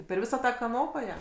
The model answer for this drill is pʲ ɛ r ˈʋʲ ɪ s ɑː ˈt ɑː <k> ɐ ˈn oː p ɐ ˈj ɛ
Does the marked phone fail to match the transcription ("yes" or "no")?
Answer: no